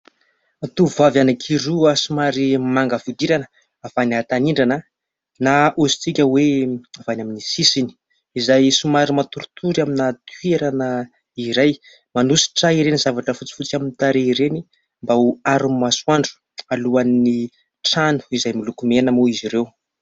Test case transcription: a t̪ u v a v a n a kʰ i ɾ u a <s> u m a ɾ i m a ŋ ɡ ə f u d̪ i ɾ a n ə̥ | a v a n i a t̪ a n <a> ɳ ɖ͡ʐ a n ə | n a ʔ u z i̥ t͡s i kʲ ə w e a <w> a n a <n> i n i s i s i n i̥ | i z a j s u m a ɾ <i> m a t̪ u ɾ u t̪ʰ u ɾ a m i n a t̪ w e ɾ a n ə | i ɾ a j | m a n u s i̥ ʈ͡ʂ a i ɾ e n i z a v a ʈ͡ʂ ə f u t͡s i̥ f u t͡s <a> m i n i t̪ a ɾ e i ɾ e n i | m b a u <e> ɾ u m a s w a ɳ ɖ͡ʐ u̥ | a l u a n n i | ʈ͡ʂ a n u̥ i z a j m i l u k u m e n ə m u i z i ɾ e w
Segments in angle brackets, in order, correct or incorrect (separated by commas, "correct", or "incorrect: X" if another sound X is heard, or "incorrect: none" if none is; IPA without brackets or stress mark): correct, incorrect: i, incorrect: v, incorrect: m, correct, correct, incorrect: a